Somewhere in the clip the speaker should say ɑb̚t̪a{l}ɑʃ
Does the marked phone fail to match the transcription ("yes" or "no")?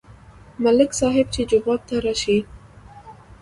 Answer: yes